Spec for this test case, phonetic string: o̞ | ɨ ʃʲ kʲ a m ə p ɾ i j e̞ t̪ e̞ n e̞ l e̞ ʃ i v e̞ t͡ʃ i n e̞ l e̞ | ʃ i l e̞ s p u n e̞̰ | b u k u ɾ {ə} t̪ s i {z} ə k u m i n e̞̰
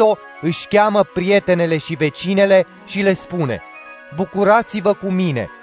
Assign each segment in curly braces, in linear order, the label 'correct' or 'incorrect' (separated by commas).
incorrect, incorrect